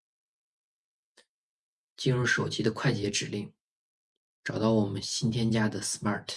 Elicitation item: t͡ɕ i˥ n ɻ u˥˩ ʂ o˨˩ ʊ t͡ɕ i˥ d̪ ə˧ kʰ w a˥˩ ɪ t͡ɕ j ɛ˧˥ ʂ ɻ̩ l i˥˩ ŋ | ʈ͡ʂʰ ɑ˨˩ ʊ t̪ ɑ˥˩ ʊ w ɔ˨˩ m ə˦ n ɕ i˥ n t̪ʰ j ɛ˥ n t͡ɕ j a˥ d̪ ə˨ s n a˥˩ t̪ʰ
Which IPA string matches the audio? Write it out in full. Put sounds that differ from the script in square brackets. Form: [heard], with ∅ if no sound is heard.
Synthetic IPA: t͡ɕ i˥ n ɻ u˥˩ ʂ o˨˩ ʊ t͡ɕ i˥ d̪ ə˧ kʰ w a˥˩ ɪ t͡ɕ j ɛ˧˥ [ʈ͡ʂ] ɻ̩ l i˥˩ ŋ | [ʈ͡ʂ] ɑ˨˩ ʊ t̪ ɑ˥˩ ʊ w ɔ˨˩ m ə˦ n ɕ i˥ n t̪ʰ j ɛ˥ n t͡ɕ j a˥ d̪ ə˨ s [m] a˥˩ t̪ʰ